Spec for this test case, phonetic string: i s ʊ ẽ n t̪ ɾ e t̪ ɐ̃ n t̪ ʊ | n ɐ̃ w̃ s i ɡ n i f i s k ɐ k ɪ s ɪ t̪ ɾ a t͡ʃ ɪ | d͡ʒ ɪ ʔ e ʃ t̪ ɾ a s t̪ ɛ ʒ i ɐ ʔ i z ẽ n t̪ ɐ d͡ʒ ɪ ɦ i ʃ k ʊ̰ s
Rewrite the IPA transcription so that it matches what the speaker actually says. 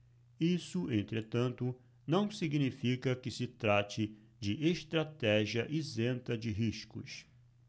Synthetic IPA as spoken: i s ʊ ẽ n t̪ ɾ e t̪ ɐ̃ n t̪ ʊ | n ɐ̃ w̃ s i ɡ n i f i k ɐ k ɪ s ɪ t̪ ɾ a t͡ʃ ɪ | d͡ʒ ɪ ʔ e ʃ t̪ ɾ a t̪ ɛ ʒ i ɐ ʔ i z ẽ n t̪ ɐ d͡ʒ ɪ ɦ i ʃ k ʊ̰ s